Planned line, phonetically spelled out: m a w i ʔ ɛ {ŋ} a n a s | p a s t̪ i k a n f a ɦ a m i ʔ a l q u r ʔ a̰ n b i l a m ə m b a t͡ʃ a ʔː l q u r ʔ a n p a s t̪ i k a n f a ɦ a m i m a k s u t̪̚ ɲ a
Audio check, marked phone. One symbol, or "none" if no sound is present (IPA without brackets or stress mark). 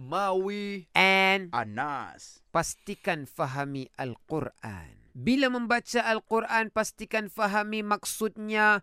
n